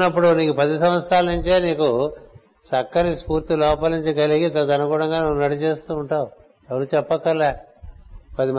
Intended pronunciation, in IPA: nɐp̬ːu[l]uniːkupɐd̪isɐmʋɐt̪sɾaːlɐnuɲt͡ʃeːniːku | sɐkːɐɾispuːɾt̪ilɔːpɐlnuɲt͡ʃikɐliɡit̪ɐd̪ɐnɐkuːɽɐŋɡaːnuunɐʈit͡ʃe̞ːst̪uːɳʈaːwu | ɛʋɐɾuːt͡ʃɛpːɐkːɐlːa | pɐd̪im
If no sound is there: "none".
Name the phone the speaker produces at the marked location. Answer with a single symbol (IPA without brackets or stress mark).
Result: ɽ